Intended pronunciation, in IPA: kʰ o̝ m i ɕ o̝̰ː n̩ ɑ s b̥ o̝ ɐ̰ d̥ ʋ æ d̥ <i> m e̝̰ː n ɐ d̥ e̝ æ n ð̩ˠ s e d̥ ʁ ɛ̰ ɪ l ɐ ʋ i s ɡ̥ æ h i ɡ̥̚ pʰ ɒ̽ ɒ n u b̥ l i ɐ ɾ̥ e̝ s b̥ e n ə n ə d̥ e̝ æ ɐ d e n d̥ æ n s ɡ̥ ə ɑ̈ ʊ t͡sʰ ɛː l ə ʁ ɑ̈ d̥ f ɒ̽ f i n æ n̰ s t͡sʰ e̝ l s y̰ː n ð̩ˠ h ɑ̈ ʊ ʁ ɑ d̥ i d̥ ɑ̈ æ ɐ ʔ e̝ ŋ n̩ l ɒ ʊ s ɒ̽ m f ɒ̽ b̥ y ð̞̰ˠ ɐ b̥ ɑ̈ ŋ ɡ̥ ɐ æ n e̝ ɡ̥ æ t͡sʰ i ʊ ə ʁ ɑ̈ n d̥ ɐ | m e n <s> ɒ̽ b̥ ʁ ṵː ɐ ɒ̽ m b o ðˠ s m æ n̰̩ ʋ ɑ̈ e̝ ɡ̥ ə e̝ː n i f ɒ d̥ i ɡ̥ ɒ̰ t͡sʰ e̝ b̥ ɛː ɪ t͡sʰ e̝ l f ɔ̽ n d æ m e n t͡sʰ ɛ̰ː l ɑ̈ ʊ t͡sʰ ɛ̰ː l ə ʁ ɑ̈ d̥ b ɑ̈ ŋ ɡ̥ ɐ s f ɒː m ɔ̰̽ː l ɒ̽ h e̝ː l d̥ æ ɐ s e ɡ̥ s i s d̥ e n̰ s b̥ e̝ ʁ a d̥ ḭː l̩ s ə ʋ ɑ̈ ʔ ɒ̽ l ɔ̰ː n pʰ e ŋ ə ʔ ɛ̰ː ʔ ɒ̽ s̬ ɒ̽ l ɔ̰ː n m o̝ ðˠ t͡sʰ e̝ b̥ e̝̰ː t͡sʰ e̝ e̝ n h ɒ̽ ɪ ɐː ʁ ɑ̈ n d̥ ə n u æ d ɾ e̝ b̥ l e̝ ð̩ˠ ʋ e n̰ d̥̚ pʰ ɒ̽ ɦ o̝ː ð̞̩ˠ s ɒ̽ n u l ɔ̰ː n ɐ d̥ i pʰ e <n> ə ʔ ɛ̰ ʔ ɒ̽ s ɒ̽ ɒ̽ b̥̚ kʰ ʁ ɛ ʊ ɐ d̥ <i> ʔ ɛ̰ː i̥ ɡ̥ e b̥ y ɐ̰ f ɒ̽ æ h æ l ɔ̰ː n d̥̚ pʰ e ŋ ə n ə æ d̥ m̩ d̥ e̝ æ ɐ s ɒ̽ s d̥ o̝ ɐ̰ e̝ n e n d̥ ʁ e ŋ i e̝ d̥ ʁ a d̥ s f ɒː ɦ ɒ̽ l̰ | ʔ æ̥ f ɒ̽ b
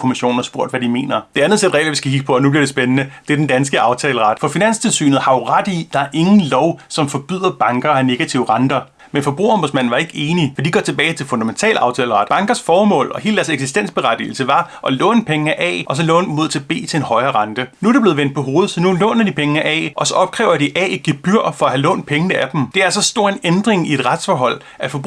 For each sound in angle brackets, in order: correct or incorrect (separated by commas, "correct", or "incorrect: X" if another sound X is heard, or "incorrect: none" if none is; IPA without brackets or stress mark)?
correct, incorrect: f, incorrect: ŋ, correct